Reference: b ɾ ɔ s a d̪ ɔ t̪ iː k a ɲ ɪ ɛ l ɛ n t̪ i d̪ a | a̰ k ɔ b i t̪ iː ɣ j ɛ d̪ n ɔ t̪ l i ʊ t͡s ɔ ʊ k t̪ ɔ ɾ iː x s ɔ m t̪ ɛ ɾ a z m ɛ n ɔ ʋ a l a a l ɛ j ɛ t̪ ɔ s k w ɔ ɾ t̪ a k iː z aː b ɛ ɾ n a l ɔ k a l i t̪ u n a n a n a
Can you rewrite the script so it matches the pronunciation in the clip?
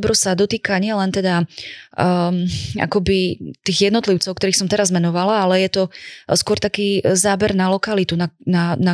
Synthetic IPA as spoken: b ɾ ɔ s a d̪ ɔ t̪ iː k a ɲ ɪ ɛ l ɛ n t̪ ɛ d̪ a | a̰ k ɔ b i t̪ iː ɣ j ɛ d̪ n ɔ t̪ l i ʊ t͡s ɔ ʊ k t̪ ɔ ɾ iː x s ɔ m t̪ ɛ ɾ a z m ɛ n ɔ ʋ a l a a l ɛ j ɛ t̪ ɔ s k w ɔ ɾ t̪ a k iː z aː b ɛ ɾ n a l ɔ k a l i t̪ u n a n a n a